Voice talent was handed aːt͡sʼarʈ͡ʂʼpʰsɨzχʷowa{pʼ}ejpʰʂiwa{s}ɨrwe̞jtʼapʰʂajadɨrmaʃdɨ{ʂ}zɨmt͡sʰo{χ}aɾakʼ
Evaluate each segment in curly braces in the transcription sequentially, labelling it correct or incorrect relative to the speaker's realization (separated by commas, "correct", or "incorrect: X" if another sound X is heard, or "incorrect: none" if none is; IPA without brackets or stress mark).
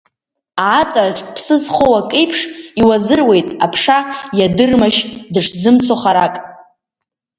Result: incorrect: kʼ, incorrect: z, correct, correct